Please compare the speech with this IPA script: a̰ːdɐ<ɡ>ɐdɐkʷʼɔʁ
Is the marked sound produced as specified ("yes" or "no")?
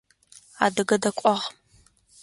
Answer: yes